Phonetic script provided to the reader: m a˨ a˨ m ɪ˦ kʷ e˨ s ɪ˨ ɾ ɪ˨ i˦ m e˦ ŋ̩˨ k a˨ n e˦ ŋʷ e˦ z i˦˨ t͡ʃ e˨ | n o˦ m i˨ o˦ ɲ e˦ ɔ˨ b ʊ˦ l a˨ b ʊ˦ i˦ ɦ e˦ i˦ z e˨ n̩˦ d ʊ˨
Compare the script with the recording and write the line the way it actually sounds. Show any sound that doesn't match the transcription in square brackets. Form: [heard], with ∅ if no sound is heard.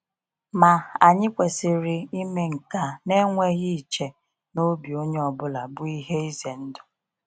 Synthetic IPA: m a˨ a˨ [ɲ] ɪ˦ kʷ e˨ s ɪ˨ ɾ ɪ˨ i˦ m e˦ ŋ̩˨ k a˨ n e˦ ŋʷ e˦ [ɣ] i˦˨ t͡ʃ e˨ | n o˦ [b] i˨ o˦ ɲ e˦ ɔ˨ b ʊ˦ l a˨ b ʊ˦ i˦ ɦ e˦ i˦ z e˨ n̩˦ d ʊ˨